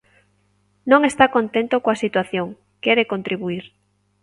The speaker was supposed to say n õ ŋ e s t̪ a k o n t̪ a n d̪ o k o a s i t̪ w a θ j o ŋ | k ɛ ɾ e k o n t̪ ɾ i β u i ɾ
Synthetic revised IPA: n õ ŋ e s t̪ a k o n t̪ e n t̪ o k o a s i t̪ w a θ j o ŋ | k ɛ ɾ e k o n t̪ ɾ i β u i ɾ